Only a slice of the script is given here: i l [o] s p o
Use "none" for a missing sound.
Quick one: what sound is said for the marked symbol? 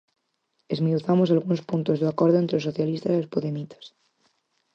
o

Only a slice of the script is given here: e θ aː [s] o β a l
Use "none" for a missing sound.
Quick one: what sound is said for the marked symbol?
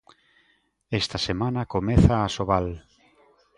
s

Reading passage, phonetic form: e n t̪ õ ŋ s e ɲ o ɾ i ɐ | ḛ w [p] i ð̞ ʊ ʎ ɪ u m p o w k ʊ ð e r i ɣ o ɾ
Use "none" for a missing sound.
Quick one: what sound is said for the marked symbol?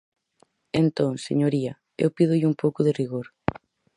p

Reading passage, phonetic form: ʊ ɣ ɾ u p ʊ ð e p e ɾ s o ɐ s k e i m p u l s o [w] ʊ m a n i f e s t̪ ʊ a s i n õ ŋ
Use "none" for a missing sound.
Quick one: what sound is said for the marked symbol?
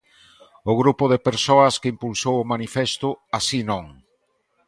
w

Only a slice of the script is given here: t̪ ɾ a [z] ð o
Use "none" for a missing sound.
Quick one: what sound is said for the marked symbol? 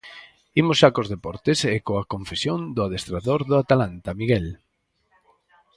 none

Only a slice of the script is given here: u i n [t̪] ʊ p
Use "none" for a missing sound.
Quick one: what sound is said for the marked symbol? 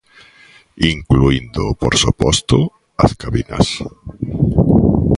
d̪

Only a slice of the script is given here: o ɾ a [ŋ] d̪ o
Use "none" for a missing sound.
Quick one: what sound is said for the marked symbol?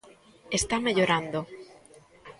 n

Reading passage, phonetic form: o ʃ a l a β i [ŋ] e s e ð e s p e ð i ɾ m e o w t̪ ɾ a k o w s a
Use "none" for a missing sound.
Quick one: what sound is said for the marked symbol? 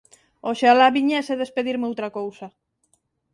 ɲ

